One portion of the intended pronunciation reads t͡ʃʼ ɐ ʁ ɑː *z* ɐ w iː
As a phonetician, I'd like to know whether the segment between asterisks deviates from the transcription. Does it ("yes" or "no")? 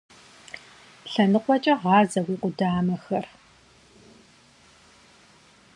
no